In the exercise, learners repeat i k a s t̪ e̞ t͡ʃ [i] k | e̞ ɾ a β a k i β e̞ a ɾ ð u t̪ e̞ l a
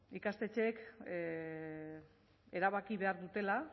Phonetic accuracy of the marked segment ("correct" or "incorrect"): incorrect